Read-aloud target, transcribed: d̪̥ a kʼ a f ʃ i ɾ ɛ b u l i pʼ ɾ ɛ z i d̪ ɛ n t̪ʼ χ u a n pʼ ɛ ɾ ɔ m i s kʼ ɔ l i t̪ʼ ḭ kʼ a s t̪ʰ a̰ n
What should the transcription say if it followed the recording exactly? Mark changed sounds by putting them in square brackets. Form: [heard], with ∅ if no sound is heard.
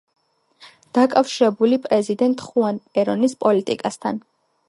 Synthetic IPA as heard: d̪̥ a kʼ a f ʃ i ɾ ɛ b u l i pʼ ɾ ɛ z i d̪ ɛ n t̪ʼ χ u a n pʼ ɛ ɾ ɔ [n] i s [pʼ] ɔ l i t̪ʼ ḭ kʼ a s t̪ʰ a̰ n

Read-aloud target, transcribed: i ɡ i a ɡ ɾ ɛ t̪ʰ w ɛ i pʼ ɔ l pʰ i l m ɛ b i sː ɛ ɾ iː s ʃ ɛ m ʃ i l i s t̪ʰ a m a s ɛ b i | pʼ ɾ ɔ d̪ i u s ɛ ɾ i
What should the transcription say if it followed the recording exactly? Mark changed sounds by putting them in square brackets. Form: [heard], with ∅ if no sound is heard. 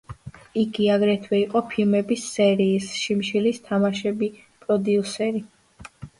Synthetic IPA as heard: i ɡ i a ɡ ɾ ɛ t̪ʰ w ɛ i [qʼ] ɔ [∅] pʰ i l m ɛ b i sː ɛ ɾ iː s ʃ [i] m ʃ i l i s t̪ʰ a m a [ʃ] ɛ b i | pʼ ɾ ɔ d̪ i u s ɛ ɾ i

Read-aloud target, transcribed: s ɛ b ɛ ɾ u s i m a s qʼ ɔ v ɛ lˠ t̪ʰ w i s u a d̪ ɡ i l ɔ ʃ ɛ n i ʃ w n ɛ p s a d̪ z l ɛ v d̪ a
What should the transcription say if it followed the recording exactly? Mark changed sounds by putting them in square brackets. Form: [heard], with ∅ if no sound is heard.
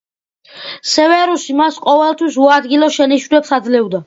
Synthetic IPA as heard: s ɛ [v] ɛ ɾ u s i m a s qʼ ɔ v ɛ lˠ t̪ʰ w i s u a d̪ ɡ i l ɔ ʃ ɛ n i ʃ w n ɛ p s a d̪ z l ɛ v d̪ a

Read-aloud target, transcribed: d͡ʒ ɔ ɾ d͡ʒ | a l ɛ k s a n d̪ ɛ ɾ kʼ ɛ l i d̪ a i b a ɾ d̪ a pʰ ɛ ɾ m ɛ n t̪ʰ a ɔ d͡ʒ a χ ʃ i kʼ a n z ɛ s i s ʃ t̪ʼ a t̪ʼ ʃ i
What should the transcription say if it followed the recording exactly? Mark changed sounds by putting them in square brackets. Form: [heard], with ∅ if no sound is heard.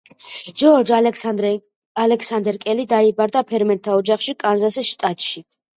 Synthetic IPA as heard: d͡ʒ ɔ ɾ d͡ʒ | a l ɛ k s a n d̪ ɛ ɾ kʼ ɛ l i d̪ a i b a ɾ d̪ a pʰ ɛ ɾ m ɛ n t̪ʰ a ɔ d͡ʒ a χ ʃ i kʼ a n z [a] s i s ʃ t̪ʼ a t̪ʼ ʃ i

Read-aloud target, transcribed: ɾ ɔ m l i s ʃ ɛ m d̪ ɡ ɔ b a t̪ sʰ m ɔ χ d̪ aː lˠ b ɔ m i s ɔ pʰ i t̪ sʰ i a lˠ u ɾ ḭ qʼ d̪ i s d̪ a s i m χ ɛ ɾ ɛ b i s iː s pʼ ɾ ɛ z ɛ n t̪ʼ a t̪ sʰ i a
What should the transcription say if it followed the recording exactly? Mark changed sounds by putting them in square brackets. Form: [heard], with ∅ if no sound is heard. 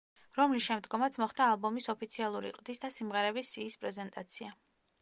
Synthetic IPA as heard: ɾ ɔ m l i s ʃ ɛ m d̪ ɡ ɔ [m] a t̪ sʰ m ɔ χ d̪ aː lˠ b ɔ m i s ɔ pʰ i t̪ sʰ i a lˠ u ɾ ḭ qʼ d̪ i s d̪ a s i m [ʁ] ɛ ɾ ɛ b i s iː s pʼ ɾ ɛ z ɛ n t̪ʼ a t̪ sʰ i a

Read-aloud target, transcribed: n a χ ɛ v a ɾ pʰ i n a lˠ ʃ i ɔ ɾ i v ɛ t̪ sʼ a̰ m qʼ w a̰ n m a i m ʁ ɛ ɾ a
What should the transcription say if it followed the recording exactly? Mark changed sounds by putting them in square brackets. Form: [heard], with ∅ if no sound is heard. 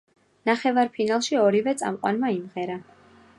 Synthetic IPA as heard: n a χ ɛ v a ɾ pʰ i n a lˠ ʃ i ɔ ɾ i v ɛ t̪ sʼ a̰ m qʼ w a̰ n m a i m ʁ ɛ ɾ a

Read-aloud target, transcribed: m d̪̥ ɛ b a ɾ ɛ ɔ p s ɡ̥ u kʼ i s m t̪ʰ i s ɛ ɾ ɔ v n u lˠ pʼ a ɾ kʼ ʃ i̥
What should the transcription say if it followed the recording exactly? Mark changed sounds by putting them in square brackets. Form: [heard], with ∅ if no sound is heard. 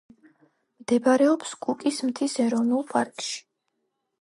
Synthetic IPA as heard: m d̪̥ ɛ b a ɾ ɛ ɔ p s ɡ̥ u kʼ i s m t̪ʰ i s ɛ ɾ ɔ v n u lˠ pʼ a ɾ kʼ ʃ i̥

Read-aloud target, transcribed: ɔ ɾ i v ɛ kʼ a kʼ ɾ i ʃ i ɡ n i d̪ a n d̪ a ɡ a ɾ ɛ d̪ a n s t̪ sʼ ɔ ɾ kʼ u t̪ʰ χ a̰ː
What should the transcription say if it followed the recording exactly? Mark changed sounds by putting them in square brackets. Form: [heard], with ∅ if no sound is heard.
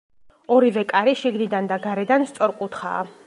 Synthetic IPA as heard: ɔ ɾ i v ɛ kʼ a [∅] ɾ i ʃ i ɡ n i d̪ a n d̪ a ɡ a ɾ ɛ d̪ a n s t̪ sʼ ɔ ɾ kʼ u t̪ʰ χ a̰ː

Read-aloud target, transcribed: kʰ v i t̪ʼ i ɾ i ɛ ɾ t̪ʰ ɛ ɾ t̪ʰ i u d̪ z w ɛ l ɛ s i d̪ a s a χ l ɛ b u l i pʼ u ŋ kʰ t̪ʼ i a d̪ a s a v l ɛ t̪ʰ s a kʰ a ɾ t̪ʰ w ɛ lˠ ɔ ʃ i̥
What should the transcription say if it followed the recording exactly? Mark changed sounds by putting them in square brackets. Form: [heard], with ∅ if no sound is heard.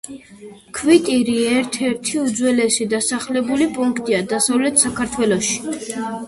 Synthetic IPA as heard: kʰ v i t̪ʼ i ɾ i ɛ ɾ t̪ʰ ɛ ɾ t̪ʰ i u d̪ z w ɛ l ɛ s i d̪ a s a χ l ɛ b u l i pʼ u ŋ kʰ t̪ʼ i a d̪ a s a v l ɛ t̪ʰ s a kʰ a ɾ t̪ʰ w ɛ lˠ ɔ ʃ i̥

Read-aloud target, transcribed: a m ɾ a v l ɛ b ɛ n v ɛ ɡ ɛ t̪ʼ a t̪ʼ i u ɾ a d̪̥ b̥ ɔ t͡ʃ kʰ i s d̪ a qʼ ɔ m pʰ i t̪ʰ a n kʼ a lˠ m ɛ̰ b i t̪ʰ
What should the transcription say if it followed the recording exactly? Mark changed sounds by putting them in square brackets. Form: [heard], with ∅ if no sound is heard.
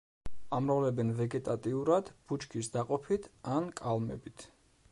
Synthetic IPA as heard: a m ɾ a v l ɛ b ɛ n v ɛ ɡ ɛ t̪ʼ a t̪ʼ i u ɾ a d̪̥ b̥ [u] t͡ʃ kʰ i s d̪ a qʼ ɔ [∅] pʰ i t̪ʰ a n kʼ a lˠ m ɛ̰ b i t̪ʰ

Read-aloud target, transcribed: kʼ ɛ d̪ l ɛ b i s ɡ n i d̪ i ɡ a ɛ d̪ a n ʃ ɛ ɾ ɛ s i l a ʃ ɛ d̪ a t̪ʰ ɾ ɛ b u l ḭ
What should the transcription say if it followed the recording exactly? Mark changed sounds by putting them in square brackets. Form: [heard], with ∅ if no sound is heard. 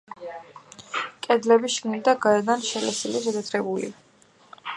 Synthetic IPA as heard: kʼ ɛ d̪ l ɛ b i [ʃ] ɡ n i d̪ [a] ɡ a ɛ d̪ a n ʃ ɛ [l] ɛ s i l [i] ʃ ɛ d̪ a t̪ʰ ɾ ɛ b u l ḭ

